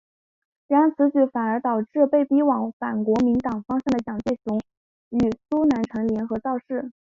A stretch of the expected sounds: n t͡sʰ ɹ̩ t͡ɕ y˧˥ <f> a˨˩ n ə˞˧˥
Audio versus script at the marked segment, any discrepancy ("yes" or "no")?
no